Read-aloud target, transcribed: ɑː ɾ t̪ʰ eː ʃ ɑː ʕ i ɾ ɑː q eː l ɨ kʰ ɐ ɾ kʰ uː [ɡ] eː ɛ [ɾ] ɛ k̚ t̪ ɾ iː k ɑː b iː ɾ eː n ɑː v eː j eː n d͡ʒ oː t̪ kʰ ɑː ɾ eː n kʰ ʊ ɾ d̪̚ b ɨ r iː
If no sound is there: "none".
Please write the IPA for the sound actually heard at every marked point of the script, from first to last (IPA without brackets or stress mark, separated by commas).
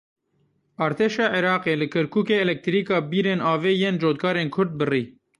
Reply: k, l